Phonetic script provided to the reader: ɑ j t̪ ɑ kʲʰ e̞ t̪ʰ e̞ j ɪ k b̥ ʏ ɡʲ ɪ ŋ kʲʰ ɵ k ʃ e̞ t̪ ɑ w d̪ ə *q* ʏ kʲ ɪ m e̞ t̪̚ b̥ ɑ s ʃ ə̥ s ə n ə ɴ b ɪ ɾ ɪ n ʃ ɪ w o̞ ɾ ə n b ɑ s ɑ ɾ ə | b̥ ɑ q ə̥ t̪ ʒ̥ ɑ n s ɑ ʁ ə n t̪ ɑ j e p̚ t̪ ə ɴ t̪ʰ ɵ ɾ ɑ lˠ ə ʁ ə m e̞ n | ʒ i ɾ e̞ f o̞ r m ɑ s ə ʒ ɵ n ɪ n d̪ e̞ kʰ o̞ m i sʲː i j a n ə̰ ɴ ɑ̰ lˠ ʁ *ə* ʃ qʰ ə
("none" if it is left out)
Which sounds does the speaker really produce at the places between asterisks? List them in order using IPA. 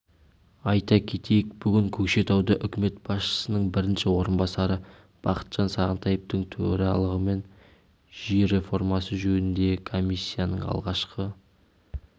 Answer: ʔ, ɑ

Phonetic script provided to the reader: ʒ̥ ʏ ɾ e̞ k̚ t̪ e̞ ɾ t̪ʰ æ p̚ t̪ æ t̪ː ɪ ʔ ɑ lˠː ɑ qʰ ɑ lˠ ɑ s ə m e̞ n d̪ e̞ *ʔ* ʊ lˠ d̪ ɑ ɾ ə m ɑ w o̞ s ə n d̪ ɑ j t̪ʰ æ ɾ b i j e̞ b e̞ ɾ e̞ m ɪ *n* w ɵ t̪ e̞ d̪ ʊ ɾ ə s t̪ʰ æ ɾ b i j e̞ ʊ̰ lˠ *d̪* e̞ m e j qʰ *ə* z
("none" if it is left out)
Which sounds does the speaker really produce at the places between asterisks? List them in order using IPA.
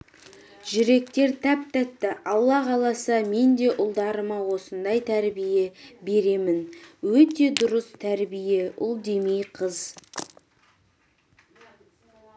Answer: ʔ, n, d̪, ə

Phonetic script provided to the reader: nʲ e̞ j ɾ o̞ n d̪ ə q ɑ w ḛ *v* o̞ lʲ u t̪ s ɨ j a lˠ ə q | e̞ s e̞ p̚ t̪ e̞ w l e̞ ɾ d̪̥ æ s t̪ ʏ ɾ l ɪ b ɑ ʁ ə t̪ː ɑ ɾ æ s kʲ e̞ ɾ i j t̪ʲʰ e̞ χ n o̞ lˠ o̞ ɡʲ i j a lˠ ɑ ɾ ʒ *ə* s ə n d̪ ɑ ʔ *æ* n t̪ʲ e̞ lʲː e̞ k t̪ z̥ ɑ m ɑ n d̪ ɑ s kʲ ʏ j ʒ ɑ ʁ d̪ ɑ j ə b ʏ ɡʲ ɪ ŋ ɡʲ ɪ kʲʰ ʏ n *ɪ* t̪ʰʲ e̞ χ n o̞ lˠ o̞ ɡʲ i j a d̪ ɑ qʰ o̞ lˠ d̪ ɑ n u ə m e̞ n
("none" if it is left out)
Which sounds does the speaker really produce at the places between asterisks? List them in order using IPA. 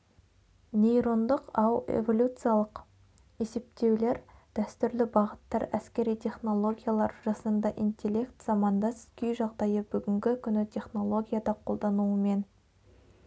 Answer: v, ɑ, i, ɪ

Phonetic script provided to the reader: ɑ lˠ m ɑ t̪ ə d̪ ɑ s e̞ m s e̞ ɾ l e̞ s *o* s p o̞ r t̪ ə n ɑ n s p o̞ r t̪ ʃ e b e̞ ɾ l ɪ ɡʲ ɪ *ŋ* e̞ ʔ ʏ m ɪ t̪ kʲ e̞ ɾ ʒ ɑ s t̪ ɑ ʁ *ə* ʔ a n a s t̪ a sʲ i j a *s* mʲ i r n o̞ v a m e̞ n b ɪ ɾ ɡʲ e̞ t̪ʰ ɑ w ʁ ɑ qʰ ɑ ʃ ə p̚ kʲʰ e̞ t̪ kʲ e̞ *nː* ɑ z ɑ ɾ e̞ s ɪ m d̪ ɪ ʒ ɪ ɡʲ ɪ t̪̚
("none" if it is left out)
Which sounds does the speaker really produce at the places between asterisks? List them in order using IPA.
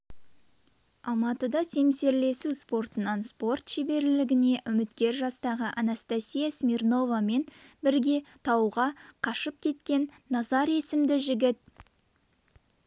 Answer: u, n, ə, s, nː

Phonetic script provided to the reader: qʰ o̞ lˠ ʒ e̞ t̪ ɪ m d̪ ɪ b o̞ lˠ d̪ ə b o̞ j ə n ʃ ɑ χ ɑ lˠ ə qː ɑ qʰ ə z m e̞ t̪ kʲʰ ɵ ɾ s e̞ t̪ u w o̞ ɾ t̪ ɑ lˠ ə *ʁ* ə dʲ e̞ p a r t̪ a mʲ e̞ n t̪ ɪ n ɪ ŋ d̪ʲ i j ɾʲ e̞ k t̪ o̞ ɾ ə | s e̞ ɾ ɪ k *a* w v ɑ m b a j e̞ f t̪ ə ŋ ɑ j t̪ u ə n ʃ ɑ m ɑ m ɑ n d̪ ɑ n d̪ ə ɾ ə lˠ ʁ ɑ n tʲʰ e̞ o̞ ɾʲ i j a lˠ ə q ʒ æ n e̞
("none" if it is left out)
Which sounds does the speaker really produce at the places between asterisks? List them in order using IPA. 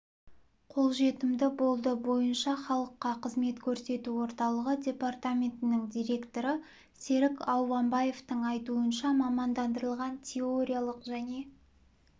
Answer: ʁ, ɑ

